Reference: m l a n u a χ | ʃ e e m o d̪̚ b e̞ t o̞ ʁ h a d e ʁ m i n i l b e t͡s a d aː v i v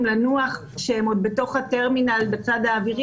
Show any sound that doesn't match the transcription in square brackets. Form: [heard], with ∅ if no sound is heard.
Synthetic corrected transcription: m l a n u a χ | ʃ e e m o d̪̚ b e̞ t o̞ [χ] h a [t] e ʁ m i n [a] l b e t͡s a d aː v i [ʁ]